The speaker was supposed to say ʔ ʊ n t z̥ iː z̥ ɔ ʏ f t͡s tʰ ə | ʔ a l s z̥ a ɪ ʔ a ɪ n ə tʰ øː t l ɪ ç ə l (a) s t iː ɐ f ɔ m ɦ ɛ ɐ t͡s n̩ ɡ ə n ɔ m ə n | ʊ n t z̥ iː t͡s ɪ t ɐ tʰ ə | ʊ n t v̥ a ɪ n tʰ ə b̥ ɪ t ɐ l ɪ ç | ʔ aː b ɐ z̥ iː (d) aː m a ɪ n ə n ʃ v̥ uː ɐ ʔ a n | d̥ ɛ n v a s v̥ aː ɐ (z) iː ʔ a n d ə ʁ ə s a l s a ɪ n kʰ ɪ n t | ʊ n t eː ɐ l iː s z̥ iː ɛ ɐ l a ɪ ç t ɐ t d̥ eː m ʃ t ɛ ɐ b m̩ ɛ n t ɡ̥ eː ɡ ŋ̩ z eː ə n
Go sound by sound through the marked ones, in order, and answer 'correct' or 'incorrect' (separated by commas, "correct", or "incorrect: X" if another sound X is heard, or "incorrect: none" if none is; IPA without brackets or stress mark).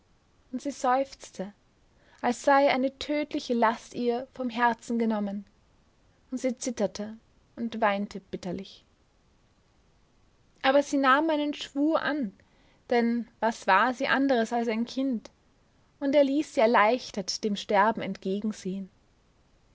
correct, incorrect: n, correct